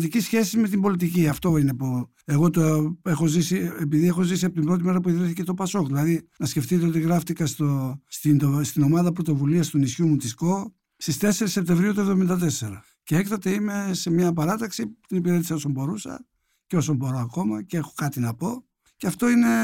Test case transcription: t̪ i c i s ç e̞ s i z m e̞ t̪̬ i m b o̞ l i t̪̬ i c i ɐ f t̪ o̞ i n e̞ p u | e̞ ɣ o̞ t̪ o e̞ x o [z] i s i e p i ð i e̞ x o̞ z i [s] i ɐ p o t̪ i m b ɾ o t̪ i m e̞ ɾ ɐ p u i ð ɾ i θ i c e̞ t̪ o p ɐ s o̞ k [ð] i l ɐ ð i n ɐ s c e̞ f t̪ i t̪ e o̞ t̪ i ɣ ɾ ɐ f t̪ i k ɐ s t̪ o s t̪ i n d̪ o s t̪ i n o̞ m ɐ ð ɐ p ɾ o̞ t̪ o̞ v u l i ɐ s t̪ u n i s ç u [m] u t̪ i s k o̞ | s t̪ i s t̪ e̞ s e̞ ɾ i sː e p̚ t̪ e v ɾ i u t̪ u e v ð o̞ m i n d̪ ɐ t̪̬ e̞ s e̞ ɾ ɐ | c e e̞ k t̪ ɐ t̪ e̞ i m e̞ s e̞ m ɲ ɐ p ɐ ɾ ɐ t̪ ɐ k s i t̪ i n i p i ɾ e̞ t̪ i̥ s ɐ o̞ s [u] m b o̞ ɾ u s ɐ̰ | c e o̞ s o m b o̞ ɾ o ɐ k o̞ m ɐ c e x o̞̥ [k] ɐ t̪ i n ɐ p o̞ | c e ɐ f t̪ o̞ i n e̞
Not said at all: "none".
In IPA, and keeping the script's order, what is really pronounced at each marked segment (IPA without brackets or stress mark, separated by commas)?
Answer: z, s, ð, m, o, k